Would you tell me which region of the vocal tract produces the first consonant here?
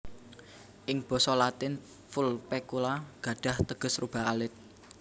throat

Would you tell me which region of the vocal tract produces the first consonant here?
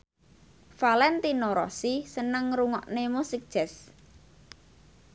lips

